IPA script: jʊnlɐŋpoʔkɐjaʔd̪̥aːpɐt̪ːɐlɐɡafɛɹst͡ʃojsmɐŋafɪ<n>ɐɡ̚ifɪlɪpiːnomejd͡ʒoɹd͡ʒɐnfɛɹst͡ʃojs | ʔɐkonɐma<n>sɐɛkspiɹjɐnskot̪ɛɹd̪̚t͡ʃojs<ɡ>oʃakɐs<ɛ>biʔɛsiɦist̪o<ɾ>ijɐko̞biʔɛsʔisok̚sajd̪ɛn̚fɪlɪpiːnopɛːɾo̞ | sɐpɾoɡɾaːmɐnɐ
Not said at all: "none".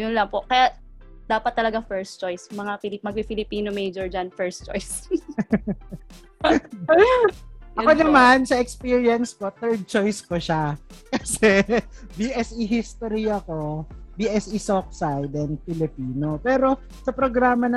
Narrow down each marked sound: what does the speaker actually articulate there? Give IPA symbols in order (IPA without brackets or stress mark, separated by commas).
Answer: m, n, k, ɛ, ɾ